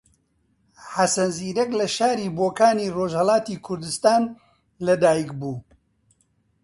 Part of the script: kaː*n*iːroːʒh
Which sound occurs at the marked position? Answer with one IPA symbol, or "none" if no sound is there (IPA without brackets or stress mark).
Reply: n